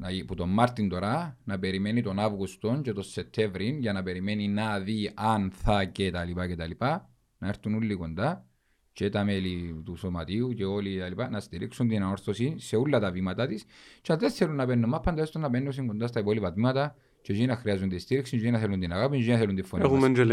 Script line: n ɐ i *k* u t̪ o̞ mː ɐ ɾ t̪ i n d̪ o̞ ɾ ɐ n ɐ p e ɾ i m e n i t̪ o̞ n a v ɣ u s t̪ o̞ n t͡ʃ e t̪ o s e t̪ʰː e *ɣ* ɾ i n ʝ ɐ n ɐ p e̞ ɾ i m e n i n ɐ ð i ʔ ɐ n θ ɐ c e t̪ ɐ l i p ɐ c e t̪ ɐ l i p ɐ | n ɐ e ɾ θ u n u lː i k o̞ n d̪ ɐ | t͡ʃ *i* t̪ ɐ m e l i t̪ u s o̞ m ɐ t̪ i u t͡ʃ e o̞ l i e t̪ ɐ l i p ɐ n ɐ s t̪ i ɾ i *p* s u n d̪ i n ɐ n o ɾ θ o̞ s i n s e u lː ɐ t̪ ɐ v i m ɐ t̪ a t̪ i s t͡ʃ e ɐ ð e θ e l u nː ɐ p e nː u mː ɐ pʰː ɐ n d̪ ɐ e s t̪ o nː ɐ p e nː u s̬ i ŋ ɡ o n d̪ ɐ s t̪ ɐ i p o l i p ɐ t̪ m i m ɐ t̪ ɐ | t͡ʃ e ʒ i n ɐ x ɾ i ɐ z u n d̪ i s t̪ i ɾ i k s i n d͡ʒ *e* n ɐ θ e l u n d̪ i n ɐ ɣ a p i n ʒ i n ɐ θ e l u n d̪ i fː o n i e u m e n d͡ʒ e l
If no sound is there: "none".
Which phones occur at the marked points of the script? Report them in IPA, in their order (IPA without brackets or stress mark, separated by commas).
p, v, e, k, i